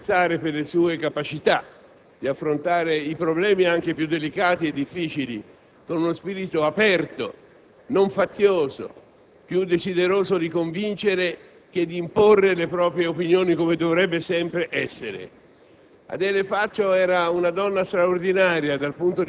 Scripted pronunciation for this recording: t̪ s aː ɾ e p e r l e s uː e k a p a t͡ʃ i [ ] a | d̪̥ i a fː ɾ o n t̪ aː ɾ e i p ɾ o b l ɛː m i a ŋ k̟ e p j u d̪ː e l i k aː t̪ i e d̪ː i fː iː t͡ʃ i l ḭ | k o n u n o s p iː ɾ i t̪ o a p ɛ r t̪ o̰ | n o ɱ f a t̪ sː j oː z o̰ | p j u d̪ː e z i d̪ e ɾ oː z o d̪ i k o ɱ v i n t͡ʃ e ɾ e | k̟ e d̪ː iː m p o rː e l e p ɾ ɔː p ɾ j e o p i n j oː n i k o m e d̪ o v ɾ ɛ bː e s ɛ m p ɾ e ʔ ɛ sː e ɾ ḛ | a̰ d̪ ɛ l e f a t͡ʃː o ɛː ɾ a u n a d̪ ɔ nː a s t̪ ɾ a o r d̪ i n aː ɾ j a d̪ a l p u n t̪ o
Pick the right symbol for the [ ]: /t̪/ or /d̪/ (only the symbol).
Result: t̪